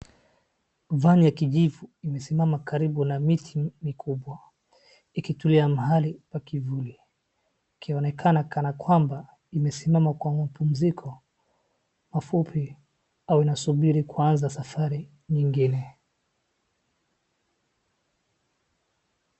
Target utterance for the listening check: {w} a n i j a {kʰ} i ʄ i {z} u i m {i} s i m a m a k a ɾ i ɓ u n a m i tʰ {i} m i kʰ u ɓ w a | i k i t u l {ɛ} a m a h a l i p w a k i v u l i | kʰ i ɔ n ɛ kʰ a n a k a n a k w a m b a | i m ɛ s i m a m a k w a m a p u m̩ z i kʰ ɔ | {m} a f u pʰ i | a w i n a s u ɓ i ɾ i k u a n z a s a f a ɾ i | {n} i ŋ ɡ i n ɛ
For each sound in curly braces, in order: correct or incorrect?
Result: incorrect: v, incorrect: k, incorrect: v, incorrect: ɛ, correct, incorrect: i, correct, incorrect: ɲ

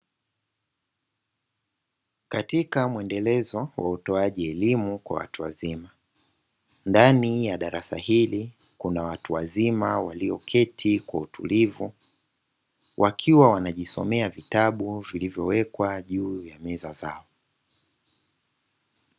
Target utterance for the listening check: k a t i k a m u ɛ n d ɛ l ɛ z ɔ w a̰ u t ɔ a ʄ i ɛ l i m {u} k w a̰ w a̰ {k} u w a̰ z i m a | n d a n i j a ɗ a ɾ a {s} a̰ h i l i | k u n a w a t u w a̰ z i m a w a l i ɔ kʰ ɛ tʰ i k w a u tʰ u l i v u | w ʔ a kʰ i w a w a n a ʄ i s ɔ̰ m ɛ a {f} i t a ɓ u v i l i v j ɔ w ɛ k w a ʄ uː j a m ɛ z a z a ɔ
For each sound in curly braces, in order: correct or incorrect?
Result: correct, incorrect: t, correct, incorrect: v

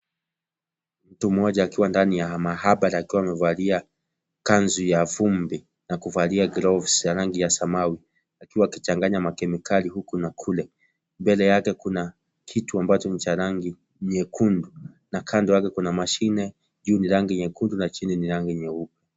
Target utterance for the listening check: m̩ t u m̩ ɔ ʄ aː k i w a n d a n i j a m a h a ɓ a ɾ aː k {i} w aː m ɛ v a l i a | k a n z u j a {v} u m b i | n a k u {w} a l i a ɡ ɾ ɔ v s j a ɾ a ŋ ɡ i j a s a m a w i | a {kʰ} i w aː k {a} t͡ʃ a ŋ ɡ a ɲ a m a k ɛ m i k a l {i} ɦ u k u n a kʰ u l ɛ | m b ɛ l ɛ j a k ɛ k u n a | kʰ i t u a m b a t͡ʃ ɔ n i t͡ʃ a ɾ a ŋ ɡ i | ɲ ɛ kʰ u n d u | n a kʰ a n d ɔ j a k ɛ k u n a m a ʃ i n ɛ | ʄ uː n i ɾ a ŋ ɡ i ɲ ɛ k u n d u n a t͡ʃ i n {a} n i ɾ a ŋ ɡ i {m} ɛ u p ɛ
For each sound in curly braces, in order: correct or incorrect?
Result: correct, correct, incorrect: v, incorrect: k, incorrect: i, correct, incorrect: i, incorrect: ɲ

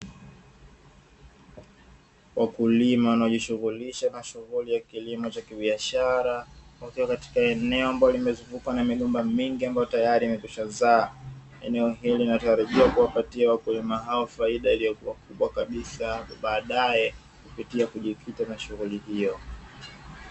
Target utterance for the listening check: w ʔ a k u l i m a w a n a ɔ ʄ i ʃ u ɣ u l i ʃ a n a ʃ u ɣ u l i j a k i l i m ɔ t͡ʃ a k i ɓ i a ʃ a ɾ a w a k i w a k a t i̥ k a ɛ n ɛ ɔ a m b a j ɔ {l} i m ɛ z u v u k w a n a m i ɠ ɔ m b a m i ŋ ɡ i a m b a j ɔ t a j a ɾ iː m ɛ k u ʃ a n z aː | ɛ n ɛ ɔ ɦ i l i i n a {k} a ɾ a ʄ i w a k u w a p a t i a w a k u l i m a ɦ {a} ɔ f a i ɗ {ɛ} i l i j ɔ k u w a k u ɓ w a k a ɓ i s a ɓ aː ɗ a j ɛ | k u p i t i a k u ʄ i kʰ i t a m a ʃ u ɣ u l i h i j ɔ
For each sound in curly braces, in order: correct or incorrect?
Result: correct, incorrect: t, correct, incorrect: a

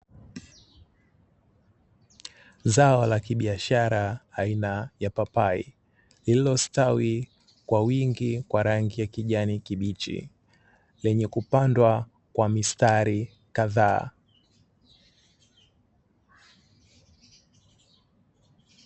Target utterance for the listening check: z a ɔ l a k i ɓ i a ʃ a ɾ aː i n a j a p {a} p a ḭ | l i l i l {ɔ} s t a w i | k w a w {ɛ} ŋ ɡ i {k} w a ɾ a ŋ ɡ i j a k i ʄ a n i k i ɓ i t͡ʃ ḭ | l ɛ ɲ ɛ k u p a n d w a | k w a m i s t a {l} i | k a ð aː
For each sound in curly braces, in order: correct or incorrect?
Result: correct, correct, incorrect: i, correct, incorrect: ɾ

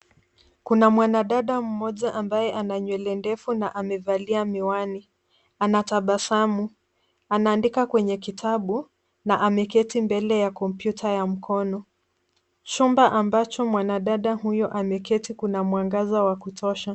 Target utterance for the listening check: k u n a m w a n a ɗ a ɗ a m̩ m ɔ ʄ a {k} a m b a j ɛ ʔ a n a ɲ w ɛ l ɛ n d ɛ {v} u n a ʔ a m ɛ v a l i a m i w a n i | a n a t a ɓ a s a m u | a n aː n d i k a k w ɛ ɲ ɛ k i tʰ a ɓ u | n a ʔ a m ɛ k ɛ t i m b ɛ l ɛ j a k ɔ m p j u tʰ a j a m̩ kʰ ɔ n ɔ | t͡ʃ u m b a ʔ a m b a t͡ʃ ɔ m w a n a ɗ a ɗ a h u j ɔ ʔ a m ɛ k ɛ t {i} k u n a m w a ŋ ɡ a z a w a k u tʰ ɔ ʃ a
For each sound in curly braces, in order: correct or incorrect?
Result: incorrect: ʔ, incorrect: f, correct

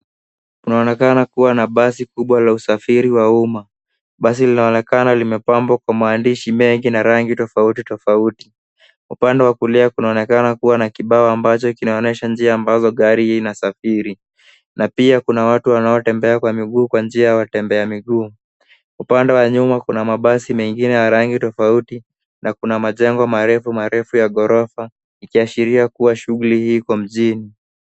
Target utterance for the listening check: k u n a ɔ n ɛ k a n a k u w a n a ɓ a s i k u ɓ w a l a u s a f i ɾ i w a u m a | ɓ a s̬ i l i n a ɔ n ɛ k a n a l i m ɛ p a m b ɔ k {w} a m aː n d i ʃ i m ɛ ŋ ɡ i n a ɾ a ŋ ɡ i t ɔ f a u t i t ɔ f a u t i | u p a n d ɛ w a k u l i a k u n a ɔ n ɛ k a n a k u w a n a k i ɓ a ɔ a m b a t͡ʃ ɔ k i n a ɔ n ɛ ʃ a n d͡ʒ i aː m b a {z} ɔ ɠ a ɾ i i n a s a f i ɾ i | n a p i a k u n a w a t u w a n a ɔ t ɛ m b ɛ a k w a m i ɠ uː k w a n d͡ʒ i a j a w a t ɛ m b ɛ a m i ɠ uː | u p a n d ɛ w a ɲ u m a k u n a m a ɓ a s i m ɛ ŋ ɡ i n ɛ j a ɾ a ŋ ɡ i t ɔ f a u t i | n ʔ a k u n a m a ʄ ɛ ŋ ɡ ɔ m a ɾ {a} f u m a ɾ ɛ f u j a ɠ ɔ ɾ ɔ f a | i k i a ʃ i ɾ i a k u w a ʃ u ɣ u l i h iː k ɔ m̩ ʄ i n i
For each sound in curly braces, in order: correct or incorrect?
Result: correct, correct, incorrect: ɛ

